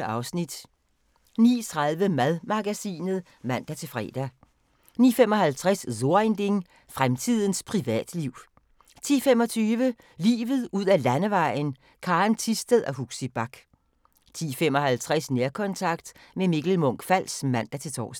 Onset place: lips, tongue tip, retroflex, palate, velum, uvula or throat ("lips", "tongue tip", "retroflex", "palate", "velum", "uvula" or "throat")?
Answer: tongue tip